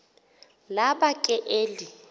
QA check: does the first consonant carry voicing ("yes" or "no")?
yes